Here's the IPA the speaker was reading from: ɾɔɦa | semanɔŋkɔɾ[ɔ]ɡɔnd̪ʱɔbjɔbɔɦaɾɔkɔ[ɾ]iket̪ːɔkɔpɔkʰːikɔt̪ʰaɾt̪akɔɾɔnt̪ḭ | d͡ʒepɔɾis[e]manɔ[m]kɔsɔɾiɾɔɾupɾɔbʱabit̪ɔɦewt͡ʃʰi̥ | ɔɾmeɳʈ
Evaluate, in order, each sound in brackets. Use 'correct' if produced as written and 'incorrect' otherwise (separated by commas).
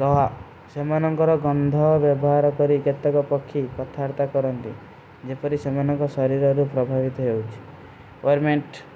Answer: correct, correct, correct, incorrect